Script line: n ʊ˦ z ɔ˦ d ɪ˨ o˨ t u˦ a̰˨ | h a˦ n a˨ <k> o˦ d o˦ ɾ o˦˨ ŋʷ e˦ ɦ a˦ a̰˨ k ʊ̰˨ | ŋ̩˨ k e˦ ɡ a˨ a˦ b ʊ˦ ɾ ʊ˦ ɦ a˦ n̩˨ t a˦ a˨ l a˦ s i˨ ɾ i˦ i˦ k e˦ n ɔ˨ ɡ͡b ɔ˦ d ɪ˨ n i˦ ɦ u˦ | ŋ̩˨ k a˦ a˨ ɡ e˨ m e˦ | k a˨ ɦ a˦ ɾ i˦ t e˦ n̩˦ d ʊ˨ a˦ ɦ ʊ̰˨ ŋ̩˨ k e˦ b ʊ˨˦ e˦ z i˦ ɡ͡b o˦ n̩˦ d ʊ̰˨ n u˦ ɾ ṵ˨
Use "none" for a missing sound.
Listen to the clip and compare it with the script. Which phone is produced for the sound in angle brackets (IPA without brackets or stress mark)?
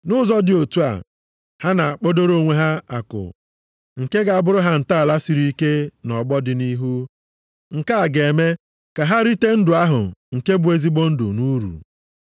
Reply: k͡p